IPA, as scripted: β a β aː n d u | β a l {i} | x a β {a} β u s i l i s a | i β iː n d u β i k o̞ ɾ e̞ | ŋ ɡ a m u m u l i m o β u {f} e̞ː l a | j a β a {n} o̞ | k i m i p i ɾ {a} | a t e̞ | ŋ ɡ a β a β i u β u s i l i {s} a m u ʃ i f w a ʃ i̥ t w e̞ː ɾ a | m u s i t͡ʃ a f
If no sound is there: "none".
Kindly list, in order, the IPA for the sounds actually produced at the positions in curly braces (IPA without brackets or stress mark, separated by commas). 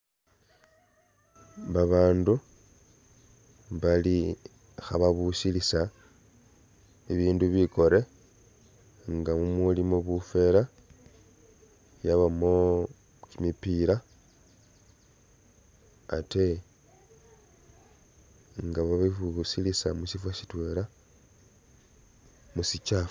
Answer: i, a, f, m, a, s